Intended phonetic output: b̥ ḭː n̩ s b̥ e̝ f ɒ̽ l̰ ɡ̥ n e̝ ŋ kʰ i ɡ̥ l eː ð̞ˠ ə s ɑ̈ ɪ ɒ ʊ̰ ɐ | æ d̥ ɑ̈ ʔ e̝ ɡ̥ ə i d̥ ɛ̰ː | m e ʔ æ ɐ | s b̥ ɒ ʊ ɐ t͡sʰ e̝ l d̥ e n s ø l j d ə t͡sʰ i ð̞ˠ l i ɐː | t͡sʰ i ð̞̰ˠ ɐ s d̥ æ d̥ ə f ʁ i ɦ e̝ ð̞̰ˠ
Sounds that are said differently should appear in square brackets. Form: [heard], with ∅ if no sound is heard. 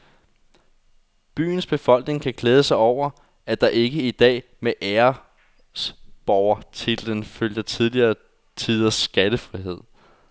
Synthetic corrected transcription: b̥ [y̰ː] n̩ s b̥ e̝ f ɒ̽ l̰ ɡ̥ n e̝ ŋ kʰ [æ] ɡ̥ l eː ð̞ˠ ə s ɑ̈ ɪ ɒ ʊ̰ ɐ | æ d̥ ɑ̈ ʔ e̝ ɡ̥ ə i d̥ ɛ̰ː | m e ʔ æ ɐ | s b̥ ɒ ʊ ɐ t͡sʰ e̝ l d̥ e n [f] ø l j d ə t͡sʰ i ð̞ˠ l i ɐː | t͡sʰ i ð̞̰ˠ ɐ s [ɡ̥] æ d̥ ə f ʁ i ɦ e̝ ð̞̰ˠ